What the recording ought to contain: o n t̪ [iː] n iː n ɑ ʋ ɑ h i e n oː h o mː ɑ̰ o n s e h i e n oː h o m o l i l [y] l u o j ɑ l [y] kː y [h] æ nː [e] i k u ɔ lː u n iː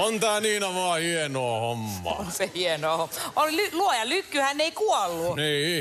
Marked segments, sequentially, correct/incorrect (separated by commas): incorrect, correct, correct, correct, correct